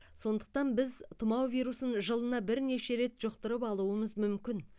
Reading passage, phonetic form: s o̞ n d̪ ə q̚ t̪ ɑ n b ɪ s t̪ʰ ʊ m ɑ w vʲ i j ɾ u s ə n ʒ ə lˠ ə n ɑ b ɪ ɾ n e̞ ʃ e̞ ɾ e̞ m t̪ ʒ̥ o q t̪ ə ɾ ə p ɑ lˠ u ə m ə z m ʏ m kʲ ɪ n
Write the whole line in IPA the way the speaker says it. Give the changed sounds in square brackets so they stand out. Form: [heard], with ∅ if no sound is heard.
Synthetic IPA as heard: s o̞ n d̪ ə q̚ t̪ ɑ n b ɪ [z] t̪ʰ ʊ m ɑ w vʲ i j ɾ u s ə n ʒ ə lˠ ə n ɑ b ɪ ɾ n e̞ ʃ e̞ ɾ e̞ [∅] t̪ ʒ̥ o q t̪ ə ɾ ə p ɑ lˠ u ə m ə z m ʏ m kʲ ɪ n